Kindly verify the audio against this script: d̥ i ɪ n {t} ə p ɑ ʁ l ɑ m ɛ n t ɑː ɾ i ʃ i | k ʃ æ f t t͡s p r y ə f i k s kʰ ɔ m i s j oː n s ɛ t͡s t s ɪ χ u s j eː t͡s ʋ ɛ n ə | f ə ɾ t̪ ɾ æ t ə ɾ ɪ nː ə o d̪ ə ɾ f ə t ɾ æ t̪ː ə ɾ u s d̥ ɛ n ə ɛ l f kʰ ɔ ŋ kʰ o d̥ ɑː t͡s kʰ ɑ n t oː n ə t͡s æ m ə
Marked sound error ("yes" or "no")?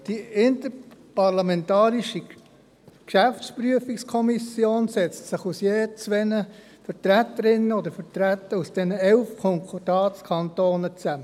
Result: no